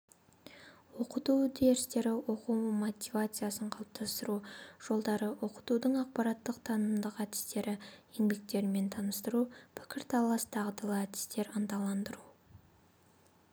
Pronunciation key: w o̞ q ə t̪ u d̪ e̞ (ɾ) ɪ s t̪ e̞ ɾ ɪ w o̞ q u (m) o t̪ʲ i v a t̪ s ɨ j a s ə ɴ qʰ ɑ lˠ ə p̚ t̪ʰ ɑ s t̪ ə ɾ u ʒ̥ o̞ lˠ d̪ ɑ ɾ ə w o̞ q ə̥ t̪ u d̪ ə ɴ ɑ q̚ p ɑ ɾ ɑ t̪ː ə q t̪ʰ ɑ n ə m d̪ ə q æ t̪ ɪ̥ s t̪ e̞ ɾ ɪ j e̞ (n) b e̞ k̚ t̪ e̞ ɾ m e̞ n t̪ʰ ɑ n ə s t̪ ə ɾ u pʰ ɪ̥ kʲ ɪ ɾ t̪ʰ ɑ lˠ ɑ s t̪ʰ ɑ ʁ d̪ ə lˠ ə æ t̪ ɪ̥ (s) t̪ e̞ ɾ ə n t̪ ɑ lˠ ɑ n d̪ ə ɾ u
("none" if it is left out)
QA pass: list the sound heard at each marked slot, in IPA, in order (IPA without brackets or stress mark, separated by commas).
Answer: ɾ, m, ŋ, s